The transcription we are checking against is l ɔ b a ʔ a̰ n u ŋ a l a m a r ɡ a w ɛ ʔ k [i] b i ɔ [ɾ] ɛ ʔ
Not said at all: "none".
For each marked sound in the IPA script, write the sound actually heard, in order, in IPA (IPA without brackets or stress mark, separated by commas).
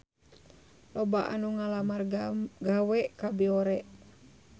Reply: a, ɾ